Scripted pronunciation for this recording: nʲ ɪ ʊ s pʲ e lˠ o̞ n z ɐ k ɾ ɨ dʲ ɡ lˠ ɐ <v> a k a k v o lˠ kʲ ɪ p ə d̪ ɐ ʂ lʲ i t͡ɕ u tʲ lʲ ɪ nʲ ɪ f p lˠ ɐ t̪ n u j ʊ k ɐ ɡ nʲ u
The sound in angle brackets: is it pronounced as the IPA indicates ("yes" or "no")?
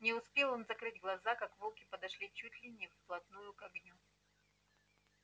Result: no